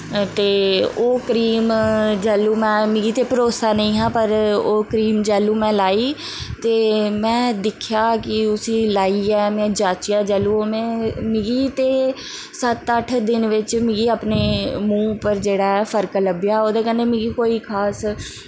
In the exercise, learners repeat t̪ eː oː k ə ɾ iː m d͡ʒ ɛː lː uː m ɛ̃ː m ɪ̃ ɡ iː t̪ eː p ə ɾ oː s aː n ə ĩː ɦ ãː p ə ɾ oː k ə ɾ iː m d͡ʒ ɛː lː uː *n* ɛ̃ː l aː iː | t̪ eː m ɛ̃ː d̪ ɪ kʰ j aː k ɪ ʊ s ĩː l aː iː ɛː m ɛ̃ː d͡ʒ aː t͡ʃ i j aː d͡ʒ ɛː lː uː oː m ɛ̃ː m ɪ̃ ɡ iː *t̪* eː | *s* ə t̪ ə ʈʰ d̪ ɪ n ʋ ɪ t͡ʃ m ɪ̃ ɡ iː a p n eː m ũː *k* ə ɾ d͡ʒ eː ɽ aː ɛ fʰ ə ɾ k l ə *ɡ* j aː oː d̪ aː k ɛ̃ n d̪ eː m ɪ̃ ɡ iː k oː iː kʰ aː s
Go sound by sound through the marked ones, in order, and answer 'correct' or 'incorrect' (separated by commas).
incorrect, correct, correct, incorrect, incorrect